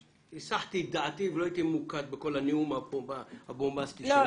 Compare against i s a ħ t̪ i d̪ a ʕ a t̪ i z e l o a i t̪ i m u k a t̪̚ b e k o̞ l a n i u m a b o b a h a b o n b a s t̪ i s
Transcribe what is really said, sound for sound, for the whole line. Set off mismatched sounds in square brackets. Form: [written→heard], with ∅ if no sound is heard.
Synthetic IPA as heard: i s a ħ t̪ i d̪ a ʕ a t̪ i [z→v] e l o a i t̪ i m u k a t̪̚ b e k o̞ l a n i u m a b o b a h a b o [n→m] b a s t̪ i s